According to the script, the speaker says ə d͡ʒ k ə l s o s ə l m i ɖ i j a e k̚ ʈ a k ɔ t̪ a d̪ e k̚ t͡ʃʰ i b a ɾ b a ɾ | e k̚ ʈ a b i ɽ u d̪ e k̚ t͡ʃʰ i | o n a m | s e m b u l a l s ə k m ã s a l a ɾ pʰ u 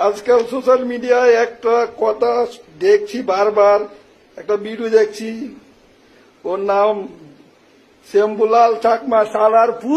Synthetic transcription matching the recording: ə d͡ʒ k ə l s o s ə l m i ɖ i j a e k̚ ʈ a k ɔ t̪ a d̪ e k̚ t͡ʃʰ i b a ɾ b a ɾ | e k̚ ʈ a b i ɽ u d̪ e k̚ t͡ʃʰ i | o n a m | s e m b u l a l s a k m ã s a l a ɾ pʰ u